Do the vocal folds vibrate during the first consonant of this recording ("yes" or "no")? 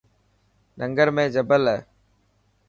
yes